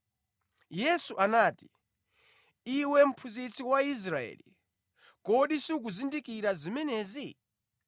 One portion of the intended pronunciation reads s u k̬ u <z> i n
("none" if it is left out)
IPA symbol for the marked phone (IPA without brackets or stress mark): z